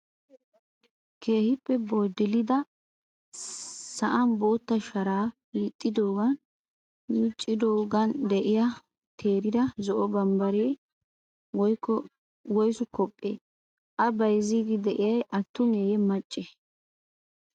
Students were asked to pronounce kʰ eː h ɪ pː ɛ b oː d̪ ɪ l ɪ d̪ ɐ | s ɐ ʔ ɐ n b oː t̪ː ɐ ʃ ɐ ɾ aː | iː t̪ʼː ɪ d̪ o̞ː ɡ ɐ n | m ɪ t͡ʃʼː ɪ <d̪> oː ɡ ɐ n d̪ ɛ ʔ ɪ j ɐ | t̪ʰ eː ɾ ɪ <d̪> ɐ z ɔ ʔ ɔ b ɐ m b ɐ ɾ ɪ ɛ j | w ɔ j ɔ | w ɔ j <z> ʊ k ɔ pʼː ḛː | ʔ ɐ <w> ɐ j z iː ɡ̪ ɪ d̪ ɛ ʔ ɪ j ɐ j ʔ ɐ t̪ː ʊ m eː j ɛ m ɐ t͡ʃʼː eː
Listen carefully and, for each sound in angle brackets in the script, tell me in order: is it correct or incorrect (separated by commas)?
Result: correct, correct, incorrect, incorrect